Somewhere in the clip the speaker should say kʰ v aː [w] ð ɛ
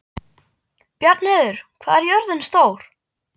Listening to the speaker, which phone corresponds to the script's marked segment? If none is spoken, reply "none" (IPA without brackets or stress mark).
none